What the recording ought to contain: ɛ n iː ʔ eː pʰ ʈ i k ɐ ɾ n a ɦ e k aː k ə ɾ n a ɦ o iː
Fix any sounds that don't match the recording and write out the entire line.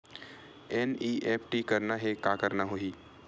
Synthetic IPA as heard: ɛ n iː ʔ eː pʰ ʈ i k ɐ ɾ n a ɦ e k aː k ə ɾ n a ɦ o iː